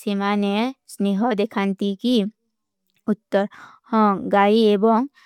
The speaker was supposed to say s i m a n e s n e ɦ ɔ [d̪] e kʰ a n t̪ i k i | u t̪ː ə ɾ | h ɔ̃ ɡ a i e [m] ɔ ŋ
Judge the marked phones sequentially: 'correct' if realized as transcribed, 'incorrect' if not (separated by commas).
correct, incorrect